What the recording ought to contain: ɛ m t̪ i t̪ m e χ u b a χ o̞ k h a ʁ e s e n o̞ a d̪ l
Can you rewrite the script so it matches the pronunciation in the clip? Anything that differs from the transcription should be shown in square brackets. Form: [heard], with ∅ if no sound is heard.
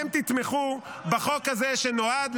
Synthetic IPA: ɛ m t̪ i t̪ m e χ u b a χ o̞ k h a [z] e [ʃ] e n o̞ a d̪ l